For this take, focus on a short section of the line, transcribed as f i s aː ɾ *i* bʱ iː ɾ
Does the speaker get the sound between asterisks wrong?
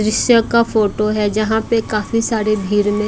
yes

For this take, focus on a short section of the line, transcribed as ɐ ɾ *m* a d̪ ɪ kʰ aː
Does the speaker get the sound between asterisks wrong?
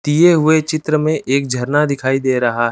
yes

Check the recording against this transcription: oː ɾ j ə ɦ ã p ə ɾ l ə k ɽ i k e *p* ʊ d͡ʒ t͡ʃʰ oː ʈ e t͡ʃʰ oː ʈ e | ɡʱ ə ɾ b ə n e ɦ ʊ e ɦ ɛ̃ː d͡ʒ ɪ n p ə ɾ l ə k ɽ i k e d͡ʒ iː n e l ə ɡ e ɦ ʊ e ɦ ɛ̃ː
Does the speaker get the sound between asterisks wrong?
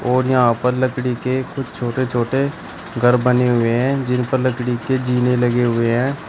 yes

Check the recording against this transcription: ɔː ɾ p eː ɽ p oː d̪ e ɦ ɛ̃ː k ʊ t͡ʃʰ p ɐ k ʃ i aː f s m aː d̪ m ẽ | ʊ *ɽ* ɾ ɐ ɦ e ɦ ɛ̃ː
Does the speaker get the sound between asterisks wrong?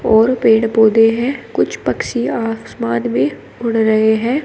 no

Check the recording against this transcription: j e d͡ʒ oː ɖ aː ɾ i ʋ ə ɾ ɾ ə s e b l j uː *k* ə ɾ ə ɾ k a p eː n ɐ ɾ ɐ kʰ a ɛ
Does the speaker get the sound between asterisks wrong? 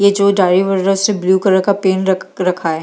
no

